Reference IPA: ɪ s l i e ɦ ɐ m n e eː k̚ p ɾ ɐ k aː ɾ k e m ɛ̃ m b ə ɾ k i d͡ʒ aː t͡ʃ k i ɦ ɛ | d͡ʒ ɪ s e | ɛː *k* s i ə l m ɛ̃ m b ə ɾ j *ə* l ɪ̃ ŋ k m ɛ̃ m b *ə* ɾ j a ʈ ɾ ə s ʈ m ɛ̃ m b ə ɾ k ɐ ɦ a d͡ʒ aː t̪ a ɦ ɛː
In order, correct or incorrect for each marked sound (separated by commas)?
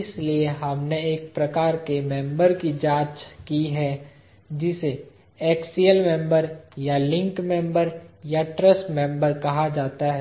correct, incorrect, correct